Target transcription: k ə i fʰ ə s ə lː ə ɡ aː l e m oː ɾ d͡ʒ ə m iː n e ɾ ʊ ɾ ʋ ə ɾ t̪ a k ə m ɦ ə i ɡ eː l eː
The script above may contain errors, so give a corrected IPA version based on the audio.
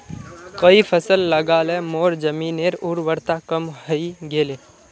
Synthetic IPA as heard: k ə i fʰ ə s ə lː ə ɡ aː l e m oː ɾ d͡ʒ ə m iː n e ɾ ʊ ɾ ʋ ə ɾ t̪ a k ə m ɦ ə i ɡ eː l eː